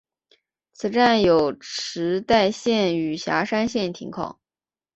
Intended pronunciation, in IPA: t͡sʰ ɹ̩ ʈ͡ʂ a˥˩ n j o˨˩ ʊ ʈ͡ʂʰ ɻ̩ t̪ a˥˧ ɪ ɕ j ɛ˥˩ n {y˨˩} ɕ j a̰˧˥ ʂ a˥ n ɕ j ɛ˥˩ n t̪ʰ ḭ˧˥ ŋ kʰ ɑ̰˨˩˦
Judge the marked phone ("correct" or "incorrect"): correct